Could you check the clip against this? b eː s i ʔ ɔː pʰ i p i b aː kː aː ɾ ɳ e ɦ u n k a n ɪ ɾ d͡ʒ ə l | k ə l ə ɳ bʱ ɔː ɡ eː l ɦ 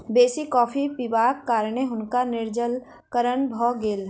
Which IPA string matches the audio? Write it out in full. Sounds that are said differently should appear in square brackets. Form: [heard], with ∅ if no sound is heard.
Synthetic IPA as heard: b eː s i [k] ɔː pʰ i p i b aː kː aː ɾ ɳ e ɦ [ʊ] n k a n ɪ ɾ d͡ʒ ə l | k ə [ɾ] ə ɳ bʱ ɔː ɡ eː l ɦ